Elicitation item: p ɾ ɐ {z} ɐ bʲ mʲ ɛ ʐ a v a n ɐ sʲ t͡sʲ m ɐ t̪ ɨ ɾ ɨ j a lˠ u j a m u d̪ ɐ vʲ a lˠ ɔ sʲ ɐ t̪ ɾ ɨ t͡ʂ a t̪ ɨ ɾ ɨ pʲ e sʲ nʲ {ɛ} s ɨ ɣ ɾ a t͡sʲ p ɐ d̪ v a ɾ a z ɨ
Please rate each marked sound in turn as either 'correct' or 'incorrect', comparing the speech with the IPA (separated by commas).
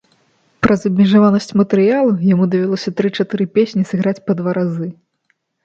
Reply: correct, incorrect